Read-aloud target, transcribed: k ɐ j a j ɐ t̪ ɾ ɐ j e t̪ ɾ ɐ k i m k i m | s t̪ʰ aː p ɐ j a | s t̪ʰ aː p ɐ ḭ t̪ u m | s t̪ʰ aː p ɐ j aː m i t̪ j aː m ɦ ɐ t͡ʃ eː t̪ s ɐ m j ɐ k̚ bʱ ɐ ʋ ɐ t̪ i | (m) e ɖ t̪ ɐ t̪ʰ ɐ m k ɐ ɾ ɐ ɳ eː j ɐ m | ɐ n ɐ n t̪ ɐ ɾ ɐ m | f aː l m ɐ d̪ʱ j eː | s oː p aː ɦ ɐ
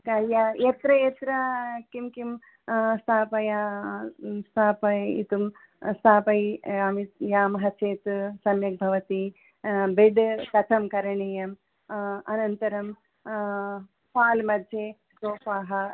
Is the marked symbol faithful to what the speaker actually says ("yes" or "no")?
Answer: no